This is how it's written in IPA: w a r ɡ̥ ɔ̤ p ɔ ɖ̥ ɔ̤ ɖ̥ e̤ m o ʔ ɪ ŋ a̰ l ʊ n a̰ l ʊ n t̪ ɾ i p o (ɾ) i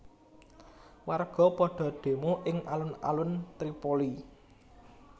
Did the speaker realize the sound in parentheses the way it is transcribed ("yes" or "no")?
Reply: no